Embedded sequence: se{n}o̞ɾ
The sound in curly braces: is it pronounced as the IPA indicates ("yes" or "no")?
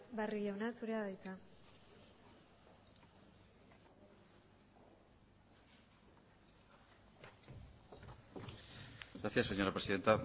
no